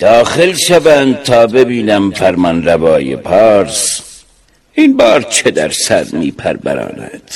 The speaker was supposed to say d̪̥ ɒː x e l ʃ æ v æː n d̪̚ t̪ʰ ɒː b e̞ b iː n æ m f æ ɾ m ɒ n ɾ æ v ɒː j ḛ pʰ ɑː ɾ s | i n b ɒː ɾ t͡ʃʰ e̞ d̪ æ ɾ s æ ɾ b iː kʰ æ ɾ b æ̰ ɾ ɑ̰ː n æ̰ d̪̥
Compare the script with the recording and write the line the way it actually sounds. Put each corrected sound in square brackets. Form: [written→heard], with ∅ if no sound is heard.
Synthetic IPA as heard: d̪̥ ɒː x e l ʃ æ v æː n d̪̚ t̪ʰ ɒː b e̞ b iː n æ m f æ ɾ m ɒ n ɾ æ v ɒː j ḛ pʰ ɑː ɾ s | i n b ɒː ɾ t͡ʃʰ e̞ d̪ æ ɾ s æ ɾ [b→m] iː [kʰ→pʰ] æ ɾ b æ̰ ɾ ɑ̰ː n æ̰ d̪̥